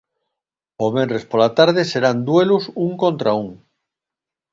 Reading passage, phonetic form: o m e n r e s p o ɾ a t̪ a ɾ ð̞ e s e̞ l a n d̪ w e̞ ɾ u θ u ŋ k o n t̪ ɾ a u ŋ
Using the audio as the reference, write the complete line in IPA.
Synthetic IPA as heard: o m e n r e s p o l a t̪ a ɾ ð̞ e s e̞ ɾ a n d̪ w e̞ l u s u ŋ k o n t̪ ɾ a u ŋ